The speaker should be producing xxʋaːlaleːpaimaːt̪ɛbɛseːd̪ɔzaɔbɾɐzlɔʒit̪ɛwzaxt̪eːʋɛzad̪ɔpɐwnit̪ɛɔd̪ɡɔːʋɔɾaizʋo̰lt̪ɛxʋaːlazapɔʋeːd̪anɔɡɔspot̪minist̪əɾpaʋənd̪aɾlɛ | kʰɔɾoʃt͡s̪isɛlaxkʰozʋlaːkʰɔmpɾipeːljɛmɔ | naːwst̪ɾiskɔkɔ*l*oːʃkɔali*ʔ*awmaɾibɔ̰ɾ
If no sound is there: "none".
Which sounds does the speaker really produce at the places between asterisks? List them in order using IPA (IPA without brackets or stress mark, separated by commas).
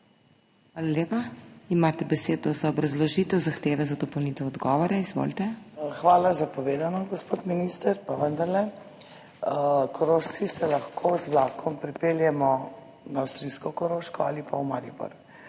ɾ, p